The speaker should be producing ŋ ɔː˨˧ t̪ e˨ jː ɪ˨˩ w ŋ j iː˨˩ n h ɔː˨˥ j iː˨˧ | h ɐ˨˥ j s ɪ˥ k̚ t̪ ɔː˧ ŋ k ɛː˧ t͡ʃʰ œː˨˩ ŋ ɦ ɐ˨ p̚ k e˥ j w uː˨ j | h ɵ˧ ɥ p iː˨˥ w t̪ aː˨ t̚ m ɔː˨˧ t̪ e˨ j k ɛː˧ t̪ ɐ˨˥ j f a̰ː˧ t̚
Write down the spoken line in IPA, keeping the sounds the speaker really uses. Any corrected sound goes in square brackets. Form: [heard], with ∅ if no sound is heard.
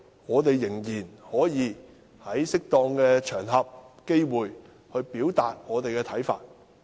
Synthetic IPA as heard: ŋ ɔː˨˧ t̪ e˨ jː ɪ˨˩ [∅] ŋ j iː˨˩ n h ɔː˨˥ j iː˨˧ | h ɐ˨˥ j s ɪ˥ k̚ t̪ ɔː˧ ŋ k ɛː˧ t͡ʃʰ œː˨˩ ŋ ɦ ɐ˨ p̚ k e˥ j w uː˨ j | h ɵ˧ ɥ p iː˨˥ w t̪ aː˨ t̚ [ŋ] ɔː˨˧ t̪ e˨ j k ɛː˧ [t̪ʰ] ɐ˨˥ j f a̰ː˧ t̚